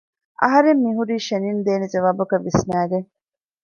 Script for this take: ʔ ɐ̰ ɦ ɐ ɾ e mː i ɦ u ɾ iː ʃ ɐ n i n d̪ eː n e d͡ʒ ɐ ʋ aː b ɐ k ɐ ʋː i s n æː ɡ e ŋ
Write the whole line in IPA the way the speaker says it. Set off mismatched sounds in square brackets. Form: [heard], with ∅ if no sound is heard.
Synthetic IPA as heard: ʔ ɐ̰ ɦ ɐ ɾ e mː i ɦ u ɾ iː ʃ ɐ n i n d̪ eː n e d͡ʒ ɐ ʋ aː b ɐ k ɐ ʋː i s n æː ɡ e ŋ